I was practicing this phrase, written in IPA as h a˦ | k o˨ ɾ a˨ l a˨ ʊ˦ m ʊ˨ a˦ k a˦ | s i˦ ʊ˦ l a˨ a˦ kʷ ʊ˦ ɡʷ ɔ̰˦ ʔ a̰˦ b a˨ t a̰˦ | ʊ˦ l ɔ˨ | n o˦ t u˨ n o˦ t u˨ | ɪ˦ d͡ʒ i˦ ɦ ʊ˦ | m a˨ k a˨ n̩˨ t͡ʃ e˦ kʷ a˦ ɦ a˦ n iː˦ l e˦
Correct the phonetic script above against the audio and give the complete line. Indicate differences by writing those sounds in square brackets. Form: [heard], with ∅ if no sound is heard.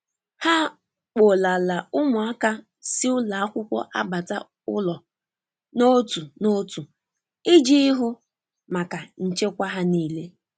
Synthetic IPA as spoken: h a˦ | [k͡p] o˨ [l] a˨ l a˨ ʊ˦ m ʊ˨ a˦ k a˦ | s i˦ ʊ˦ l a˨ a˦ kʷ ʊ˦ [kʷ] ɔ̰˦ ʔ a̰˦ b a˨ t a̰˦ | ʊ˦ l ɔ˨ | n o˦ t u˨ n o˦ t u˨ | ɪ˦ d͡ʒ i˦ ɦ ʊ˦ | m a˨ k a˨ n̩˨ t͡ʃ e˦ kʷ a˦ ɦ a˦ n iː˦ l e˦